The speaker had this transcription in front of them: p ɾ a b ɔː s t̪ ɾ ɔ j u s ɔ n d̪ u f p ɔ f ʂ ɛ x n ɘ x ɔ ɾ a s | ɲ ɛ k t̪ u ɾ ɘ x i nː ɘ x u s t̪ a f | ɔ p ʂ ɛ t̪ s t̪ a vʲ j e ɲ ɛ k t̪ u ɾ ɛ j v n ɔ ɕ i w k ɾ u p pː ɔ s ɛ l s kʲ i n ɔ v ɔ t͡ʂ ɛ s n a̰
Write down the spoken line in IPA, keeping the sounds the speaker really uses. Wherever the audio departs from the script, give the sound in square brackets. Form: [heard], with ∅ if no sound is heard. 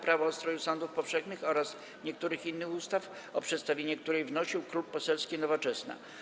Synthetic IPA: p ɾ a [v] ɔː s t̪ ɾ ɔ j u s ɔ n d̪ u f p ɔ f ʂ ɛ x n ɘ x ɔ ɾ a s | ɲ ɛ k t̪ u ɾ ɘ x i nː ɘ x u s t̪ a f | ɔ p ʂ ɛ t̪ s t̪ a vʲ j e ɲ ɛ k t̪ u ɾ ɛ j v n ɔ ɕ i w k ɾ u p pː ɔ s ɛ l s kʲ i n ɔ v ɔ t͡ʂ ɛ s n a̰